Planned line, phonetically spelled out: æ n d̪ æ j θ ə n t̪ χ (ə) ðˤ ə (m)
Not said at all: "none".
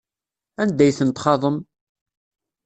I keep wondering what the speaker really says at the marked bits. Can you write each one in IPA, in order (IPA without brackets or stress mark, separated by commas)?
ɑ, m